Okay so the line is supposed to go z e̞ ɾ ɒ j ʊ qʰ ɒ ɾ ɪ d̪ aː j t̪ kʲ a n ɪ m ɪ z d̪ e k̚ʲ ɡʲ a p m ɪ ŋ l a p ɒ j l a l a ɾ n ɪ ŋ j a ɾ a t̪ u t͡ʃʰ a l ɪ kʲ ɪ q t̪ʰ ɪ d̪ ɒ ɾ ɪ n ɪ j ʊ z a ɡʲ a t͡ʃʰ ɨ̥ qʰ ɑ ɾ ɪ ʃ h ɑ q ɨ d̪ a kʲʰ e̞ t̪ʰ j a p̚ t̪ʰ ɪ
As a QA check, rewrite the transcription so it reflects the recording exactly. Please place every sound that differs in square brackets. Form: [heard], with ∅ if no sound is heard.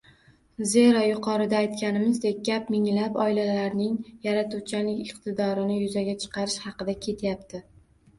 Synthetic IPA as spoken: z e̞ ɾ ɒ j ʊ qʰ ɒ ɾ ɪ d̪ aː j t̪ kʲ a n ɪ m ɪ z d̪ e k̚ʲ ɡʲ a p m ɪ ŋ l a p ɒ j l a l a ɾ n ɪ ŋ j a ɾ a t̪ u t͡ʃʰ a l ɪ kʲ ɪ q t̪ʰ ɪ d̪ ɒ ɾ ɪ n ɪ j ʊ z a ɡʲ a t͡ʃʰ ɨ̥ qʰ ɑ ɾ ɪ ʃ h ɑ q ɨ d̪ a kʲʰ e̞ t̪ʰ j a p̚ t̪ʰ ɪ